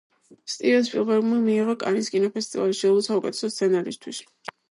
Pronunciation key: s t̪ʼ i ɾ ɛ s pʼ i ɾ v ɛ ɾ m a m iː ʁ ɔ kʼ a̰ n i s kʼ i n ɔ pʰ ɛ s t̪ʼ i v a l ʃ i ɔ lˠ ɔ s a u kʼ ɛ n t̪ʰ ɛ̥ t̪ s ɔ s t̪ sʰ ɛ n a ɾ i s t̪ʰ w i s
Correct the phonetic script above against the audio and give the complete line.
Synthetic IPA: s t̪ʼ i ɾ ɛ s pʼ i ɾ v ɛ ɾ m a m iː ʁ ɔ kʼ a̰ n i s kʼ i n ɔ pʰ ɛ s t̪ʼ i v a l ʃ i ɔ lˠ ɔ s a u kʼ ɛ t̪ʰ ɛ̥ s ɔ s t̪ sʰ ɛ n a ɾ i s t̪ʰ w i s